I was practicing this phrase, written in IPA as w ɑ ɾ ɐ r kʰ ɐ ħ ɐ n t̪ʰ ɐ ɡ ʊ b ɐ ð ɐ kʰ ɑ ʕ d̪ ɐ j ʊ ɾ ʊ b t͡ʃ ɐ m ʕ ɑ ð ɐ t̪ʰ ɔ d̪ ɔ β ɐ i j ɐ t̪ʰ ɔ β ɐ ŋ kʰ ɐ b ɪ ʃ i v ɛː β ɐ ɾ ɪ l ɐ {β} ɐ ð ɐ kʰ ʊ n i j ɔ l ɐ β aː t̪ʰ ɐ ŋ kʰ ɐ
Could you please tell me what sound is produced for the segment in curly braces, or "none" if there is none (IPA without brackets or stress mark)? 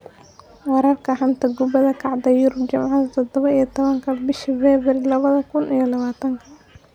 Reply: β